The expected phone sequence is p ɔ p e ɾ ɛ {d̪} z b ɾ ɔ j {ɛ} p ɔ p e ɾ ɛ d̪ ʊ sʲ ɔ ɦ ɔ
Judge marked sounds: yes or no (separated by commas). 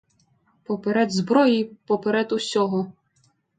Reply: yes, no